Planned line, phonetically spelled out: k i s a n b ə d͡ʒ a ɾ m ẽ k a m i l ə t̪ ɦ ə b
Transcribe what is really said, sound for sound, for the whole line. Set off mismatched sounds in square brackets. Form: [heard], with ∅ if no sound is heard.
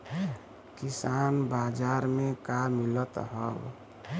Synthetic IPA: k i s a n b [a] d͡ʒ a ɾ m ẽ k a m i l ə t̪ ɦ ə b